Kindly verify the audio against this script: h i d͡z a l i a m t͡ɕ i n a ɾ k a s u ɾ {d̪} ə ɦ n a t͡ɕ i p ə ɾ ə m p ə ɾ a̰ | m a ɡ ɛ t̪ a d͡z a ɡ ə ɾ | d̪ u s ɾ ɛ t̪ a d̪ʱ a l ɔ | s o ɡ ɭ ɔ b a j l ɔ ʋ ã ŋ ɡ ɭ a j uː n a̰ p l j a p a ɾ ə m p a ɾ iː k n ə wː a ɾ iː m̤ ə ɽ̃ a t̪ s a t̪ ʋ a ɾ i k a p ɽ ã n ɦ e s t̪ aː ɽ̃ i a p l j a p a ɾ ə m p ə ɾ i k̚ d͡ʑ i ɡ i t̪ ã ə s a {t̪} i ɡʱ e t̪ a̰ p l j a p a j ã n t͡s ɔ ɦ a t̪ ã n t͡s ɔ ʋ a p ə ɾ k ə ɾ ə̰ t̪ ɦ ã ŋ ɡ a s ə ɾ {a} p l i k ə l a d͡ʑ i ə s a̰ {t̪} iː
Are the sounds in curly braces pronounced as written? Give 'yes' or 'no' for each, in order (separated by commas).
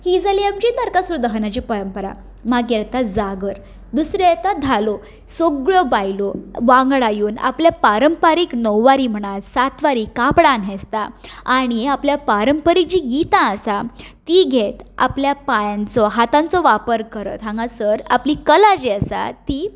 yes, yes, yes, yes